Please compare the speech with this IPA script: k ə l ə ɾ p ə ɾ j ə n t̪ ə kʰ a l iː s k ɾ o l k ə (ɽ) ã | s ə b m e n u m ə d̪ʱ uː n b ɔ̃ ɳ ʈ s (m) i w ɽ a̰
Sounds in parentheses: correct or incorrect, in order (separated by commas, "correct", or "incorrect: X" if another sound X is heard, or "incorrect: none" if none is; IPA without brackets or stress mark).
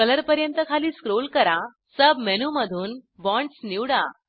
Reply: incorrect: ɾ, incorrect: n